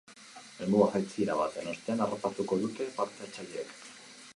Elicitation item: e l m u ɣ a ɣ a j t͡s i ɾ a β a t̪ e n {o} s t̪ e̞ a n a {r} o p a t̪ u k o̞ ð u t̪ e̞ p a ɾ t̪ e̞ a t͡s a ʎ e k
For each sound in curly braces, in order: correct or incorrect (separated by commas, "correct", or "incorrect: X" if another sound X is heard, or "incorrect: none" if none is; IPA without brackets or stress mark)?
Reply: correct, correct